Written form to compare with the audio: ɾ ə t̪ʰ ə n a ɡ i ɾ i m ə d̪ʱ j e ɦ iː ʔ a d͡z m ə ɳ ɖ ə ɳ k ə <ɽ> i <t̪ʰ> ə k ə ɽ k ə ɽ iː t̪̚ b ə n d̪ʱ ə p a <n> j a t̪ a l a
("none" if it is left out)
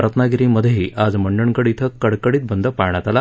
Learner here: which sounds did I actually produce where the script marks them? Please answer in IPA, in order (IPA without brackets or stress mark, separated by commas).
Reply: ɽ, t̪ʰ, ɳ